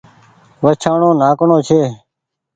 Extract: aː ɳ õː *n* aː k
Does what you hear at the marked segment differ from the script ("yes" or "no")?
no